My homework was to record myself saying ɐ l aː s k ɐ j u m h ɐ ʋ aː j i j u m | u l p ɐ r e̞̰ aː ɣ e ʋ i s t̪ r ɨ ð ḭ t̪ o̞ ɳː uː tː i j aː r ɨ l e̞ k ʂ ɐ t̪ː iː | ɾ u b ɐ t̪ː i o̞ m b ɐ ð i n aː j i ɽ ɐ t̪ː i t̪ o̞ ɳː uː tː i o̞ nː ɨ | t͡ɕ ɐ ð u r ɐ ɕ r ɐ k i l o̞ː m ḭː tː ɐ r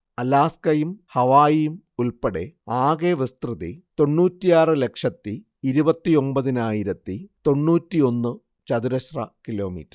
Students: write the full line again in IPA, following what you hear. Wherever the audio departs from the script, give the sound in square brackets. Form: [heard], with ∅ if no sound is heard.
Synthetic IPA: ɐ l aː s k ɐ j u m h ɐ ʋ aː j i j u m | u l p ɐ [ɽ] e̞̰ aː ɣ e ʋ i s t̪ r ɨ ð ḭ t̪ o̞ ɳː uː tː i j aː r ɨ l e̞ k ʂ ɐ t̪ː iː | ɾ u b ɐ t̪ː i o̞ m b ɐ ð i n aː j i [ɾ] ɐ t̪ː i t̪ o̞ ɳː uː tː i o̞ nː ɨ | t͡ɕ ɐ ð u [ɾ] ɐ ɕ r ɐ k i l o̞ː m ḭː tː ɐ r